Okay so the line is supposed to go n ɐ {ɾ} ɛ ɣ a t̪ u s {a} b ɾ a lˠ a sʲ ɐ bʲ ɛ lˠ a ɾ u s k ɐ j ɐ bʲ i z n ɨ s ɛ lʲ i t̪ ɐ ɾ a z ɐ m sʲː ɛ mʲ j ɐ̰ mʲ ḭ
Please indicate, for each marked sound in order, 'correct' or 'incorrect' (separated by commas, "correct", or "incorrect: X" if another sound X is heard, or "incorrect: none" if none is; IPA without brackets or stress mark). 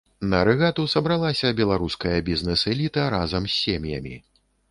correct, incorrect: ɐ